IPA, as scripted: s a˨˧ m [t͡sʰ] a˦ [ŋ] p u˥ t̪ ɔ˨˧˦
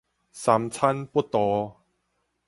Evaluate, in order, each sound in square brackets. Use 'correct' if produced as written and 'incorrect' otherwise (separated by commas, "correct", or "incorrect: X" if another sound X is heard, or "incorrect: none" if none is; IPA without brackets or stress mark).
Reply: correct, incorrect: n